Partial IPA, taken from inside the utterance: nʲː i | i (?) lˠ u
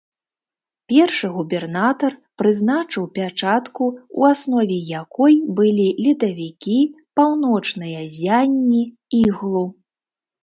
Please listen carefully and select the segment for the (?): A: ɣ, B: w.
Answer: A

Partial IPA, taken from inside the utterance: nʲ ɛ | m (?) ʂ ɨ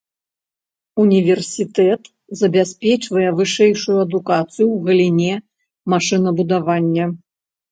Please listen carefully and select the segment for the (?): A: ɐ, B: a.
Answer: B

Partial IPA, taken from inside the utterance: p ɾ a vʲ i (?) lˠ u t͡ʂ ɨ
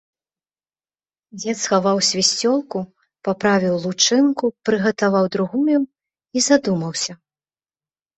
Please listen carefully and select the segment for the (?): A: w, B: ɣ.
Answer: A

